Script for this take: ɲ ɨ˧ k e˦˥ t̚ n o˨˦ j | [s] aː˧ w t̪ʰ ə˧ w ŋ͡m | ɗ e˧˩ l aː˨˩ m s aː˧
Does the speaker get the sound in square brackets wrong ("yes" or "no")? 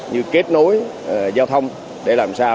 yes